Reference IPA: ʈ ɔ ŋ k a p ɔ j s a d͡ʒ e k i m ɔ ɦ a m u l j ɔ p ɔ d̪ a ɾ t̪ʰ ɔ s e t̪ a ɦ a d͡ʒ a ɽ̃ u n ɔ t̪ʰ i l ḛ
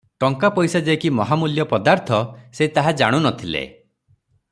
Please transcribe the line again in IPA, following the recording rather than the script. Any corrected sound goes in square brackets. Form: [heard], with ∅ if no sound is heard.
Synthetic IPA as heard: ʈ ɔ ŋ k a p ɔ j s a d͡ʒ e k i m ɔ ɦ a m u l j ɔ p ɔ d̪ a ɾ t̪ʰ ɔ s e t̪ a ɦ a d͡ʒ a ɽ̃ u n ɔ t̪ʰ i l ḛ